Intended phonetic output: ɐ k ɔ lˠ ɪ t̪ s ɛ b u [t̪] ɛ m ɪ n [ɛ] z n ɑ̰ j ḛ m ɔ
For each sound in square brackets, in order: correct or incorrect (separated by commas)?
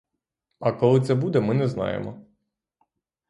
incorrect, correct